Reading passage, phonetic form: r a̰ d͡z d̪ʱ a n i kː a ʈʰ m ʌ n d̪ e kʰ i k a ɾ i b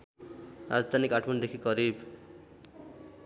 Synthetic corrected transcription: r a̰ d͡z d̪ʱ a n i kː a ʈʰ m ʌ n d̪ e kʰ i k ʌ ɾ i b